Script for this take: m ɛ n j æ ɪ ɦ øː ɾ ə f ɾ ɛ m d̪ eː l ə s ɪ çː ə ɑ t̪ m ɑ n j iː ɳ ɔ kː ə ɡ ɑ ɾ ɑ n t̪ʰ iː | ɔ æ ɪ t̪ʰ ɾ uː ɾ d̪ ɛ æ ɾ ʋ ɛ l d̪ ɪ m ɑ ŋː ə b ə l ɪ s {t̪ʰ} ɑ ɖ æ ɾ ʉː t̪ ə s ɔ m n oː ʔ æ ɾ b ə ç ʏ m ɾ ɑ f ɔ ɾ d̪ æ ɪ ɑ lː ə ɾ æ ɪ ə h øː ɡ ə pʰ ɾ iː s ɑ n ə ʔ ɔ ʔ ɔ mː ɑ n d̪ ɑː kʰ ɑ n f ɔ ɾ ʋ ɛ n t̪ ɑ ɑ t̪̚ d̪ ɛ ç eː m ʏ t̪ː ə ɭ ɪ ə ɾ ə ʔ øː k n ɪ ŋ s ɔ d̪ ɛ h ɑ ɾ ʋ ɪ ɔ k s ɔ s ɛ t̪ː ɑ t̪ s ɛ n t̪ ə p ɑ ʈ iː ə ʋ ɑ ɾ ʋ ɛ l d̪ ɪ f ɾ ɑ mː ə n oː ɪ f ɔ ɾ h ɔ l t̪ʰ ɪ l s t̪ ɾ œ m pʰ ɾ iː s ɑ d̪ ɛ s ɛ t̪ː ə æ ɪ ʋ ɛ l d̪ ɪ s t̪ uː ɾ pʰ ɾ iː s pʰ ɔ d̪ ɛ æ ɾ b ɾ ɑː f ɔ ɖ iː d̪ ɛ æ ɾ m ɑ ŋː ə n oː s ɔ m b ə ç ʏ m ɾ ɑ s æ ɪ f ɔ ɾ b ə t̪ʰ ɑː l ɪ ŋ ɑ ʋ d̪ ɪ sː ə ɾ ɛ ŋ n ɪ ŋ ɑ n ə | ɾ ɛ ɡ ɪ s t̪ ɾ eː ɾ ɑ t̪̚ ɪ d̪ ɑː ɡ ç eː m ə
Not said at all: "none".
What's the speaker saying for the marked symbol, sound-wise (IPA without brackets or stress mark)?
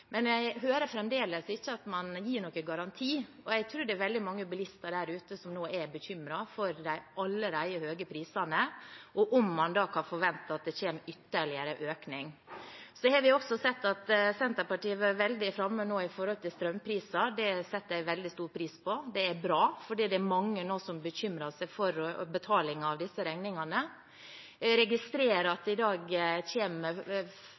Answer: t̪